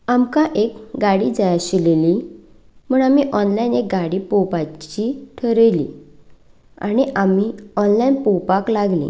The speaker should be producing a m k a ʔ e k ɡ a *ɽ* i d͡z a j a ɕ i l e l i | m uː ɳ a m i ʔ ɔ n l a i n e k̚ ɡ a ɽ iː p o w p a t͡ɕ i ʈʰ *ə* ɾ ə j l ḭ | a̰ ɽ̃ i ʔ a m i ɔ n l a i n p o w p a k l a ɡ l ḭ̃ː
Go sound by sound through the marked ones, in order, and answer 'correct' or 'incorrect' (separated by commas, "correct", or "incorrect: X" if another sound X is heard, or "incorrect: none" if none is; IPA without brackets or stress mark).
correct, correct